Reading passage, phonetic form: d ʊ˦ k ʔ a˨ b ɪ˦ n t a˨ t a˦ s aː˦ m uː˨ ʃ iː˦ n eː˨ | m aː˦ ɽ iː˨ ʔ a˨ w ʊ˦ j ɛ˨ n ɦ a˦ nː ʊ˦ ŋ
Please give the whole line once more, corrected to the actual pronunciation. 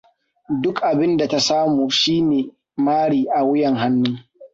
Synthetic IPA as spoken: d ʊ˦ k ʔ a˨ b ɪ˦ n d a˨ t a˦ s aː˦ m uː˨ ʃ iː˦ n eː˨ | m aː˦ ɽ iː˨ ʔ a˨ w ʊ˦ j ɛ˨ ŋ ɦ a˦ nː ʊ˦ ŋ

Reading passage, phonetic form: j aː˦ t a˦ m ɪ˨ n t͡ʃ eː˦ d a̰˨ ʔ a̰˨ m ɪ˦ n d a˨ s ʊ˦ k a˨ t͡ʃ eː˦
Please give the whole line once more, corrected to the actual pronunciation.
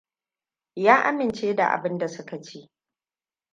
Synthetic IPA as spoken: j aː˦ ʔ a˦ m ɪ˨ n t͡ʃ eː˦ d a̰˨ ʔ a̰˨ b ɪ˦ n d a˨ s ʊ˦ k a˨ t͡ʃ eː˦

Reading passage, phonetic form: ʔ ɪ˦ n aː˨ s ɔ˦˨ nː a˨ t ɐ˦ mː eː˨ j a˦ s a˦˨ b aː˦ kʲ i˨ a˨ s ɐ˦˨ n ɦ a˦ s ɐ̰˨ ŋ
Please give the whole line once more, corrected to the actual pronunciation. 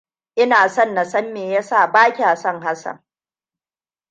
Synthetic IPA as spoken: ʔ ɪ˦ n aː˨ s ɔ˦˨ nː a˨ s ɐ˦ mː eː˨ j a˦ s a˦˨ b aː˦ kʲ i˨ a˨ s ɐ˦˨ ŋ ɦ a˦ s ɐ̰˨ ŋ

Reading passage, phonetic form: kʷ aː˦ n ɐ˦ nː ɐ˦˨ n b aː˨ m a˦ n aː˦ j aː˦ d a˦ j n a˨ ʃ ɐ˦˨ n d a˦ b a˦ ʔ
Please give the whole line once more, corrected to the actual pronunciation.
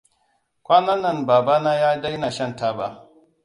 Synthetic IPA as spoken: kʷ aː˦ n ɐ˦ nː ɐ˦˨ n b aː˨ b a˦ n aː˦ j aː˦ d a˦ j n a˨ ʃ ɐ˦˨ n t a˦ b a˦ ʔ

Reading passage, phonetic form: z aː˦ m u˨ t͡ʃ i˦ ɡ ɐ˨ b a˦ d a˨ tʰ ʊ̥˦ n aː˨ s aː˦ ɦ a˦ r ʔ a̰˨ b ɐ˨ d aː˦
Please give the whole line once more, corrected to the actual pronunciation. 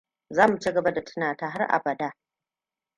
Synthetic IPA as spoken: z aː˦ m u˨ t͡ʃ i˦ ɡ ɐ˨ b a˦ d a˨ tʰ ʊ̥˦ n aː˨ t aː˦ ɦ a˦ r ʔ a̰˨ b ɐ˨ d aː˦

